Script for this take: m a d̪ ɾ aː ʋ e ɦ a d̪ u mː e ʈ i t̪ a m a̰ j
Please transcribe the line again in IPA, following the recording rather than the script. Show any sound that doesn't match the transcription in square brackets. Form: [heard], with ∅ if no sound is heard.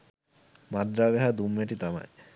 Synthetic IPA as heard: m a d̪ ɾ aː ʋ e ɦ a d̪ u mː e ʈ i t̪ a m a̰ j